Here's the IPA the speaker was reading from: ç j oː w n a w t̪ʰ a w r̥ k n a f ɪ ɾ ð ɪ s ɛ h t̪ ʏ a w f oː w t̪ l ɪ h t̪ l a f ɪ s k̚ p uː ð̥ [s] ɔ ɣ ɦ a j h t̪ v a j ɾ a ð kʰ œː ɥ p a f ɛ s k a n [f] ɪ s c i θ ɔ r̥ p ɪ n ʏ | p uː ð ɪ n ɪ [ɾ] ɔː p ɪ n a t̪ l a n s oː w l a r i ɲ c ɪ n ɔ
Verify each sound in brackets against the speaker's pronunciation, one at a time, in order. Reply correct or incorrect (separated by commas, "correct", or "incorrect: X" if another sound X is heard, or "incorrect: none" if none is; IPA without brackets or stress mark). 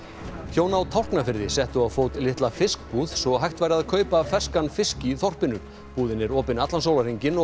correct, correct, correct